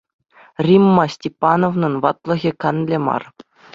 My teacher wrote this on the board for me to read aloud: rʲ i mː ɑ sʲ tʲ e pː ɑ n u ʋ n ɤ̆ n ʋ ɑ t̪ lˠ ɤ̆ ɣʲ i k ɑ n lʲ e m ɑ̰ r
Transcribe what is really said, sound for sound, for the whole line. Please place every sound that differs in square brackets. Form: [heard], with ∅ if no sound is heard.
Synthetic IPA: rʲ i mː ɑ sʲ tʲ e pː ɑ n [o] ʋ n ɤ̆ n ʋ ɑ t̪ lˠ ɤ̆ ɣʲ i k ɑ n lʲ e m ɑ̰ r